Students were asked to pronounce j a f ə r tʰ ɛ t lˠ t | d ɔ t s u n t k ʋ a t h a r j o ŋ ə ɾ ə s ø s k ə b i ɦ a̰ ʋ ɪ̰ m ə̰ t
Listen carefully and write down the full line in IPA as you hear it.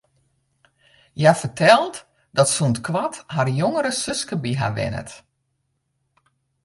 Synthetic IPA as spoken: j a f ə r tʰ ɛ lˠ t | d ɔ t s u n t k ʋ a t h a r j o ŋ ə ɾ ə s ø s k ə b i ɦ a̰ ʋ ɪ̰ n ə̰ t

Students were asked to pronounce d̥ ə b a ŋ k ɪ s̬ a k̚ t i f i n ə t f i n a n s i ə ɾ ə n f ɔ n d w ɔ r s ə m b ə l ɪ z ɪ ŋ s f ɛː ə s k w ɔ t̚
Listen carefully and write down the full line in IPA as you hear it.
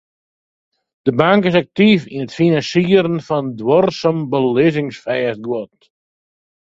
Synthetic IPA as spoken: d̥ ə b a ŋ k ɪ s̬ a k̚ t i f i n ə t f i n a n s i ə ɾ ə n f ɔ n d w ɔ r s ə m b ə l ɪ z ɪ ŋ s f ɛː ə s ɡ w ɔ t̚

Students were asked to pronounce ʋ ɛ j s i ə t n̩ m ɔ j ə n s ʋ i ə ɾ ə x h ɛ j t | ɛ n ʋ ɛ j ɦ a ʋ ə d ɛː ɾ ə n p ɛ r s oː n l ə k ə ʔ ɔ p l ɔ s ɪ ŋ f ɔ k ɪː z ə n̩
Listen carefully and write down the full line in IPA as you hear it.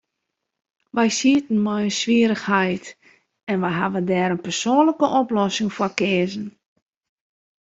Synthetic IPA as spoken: ʋ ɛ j s i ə t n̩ m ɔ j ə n s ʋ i ə ɾ ə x h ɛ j t | ɛ n ʋ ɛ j ɦ a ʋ ə d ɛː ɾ ə n p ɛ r s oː n l ə k ə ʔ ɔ p l ɔ s ɪ ŋ f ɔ k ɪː z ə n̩

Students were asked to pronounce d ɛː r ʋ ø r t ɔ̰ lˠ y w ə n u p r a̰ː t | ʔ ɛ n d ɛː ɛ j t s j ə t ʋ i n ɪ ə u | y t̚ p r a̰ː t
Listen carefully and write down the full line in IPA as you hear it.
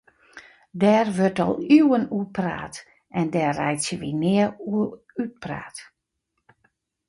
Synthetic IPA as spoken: d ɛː r ʋ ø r t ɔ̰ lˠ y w ə n u p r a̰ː t | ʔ ɛ n d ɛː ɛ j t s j ə ʋ i n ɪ ə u | y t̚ p r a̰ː t

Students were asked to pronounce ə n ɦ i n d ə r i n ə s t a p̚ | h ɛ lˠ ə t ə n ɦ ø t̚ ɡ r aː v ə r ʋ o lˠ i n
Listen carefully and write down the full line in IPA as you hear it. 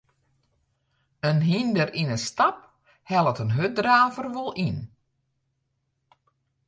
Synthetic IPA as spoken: ə n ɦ i n d ə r i n ə s t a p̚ | h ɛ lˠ ə t ə n ɦ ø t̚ d r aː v ə r ʋ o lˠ i n

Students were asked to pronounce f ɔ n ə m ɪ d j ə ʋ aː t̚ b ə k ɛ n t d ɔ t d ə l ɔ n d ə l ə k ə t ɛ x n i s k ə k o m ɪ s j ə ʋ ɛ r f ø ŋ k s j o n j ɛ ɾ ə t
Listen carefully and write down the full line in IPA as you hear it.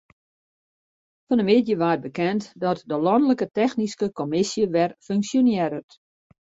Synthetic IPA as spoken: f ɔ n ə m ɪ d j ə ʋ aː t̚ b ə k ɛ n t d ɔ t d ə l ɔ n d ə l ə k ə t ɛ x n i s k ə k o m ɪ s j ə ʋ ɛ r f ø ŋ k s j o n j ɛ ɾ ə t

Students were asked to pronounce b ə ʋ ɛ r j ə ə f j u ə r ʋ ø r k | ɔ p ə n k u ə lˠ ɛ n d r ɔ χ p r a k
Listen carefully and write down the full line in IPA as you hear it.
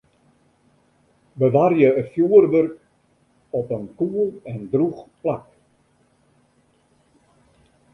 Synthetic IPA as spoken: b ə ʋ a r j ə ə f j u ə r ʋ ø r k | ɔ p ə n k u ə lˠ ɛ n d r u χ p l a k

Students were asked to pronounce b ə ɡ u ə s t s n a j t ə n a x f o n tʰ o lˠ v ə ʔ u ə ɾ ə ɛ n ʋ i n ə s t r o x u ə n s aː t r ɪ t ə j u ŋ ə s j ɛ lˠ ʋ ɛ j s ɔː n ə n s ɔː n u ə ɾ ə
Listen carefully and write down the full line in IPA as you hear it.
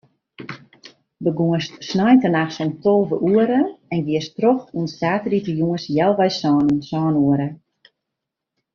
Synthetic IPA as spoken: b ə ɡ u ə s t s n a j t ə n a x s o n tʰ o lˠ v ə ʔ u ə ɾ ə ɛ n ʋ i ə s t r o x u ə n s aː t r i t ə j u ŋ ə s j ɛ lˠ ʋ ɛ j s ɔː n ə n s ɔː n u ə ɾ ə

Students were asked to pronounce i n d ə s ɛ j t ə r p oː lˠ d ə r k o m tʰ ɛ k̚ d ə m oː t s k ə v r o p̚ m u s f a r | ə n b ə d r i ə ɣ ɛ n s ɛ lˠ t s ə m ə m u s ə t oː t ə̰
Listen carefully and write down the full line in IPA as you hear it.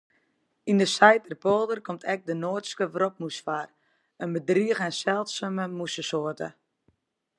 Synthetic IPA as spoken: i n d ə s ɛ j t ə r p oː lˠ d ə r k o m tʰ ɛ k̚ d ə n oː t s k ə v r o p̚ m u s f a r | ə n b ə d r i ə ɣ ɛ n s ɛ lˠ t s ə m ə m u s ə s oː t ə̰

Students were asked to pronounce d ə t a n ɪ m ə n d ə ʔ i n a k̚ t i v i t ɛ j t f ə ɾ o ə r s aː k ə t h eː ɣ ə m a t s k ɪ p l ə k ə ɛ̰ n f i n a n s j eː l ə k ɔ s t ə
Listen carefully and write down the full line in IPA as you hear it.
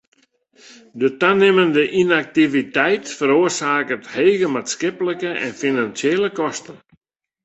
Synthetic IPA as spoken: d ə t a n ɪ m ə n d ə ʔ i n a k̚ t i v i t ɛ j t f ə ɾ o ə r s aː k ə t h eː ɣ ə m a t s k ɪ p l ə k ə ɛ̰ n f i n a n s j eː l ə k ɔ s t ə

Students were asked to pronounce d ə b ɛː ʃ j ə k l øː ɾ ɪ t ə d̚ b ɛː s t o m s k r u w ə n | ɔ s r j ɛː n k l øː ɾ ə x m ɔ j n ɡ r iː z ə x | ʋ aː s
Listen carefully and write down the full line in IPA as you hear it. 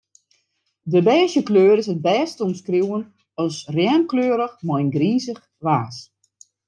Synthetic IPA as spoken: d ə b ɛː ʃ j ə k l øː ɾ ɪ s ə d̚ b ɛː s t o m s k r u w ə n | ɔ s r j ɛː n k l øː ɾ ə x m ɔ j n ɡ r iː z ə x | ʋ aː s

